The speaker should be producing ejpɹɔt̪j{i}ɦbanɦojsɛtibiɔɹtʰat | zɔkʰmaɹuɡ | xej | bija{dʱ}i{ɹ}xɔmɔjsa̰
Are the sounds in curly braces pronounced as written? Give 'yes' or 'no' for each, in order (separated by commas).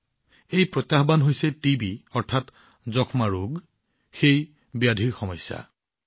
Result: no, yes, yes